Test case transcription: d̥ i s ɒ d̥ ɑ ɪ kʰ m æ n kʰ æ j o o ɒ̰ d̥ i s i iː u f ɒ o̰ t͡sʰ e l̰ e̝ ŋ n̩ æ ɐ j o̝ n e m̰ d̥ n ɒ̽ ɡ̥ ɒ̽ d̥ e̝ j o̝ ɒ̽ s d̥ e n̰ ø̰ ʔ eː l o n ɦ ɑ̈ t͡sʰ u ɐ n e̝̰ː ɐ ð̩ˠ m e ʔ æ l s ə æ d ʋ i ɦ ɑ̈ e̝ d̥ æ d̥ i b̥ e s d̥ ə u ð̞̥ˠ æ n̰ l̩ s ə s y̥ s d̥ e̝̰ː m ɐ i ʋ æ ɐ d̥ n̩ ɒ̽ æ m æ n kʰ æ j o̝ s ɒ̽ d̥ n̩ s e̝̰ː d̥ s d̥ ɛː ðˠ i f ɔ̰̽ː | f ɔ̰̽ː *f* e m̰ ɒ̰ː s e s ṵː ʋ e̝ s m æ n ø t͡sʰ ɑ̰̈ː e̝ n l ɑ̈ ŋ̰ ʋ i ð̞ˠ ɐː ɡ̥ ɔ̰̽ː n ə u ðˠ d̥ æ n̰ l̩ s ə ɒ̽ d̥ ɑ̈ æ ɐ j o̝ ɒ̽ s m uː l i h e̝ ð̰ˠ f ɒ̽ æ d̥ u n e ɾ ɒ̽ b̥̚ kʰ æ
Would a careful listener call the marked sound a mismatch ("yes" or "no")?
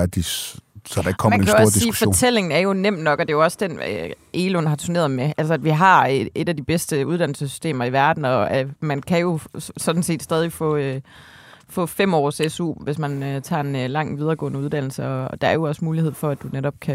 no